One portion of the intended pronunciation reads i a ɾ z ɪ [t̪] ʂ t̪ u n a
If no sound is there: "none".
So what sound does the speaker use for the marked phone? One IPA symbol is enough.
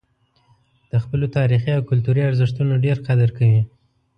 none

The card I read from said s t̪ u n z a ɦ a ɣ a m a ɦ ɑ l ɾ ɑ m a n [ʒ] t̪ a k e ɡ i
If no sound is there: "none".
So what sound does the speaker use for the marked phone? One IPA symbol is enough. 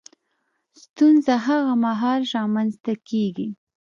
z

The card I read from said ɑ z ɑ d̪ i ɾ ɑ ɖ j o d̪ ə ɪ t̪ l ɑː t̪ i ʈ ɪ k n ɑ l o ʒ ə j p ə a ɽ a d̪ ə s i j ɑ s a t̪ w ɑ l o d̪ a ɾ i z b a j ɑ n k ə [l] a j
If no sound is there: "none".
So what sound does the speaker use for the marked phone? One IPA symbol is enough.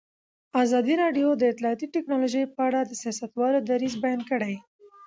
ɽ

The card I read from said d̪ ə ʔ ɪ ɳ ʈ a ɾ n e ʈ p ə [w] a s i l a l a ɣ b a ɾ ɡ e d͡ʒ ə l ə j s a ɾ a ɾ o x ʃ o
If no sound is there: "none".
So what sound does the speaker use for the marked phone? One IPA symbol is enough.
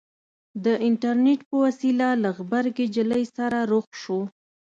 w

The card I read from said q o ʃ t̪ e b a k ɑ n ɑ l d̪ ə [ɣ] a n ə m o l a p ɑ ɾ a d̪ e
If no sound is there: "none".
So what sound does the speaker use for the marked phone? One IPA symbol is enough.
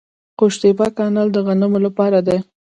ɣ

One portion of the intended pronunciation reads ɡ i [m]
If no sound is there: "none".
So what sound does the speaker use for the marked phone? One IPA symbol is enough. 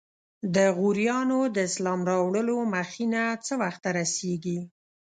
none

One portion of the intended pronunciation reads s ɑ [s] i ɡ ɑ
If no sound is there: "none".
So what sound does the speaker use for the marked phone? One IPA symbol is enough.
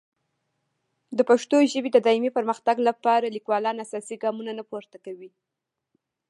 s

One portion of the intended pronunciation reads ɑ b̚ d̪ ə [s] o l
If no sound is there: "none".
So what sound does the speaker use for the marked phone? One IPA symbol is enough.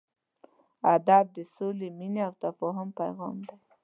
s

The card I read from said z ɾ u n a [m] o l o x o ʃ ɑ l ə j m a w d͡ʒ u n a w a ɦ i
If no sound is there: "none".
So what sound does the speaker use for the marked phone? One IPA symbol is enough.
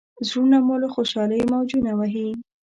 m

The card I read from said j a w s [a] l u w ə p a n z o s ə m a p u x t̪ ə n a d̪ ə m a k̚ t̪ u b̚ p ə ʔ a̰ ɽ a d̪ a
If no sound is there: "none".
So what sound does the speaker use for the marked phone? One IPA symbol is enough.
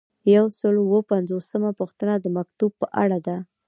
ə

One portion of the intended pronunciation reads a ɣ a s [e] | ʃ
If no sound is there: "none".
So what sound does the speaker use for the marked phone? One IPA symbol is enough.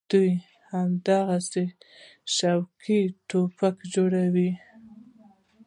e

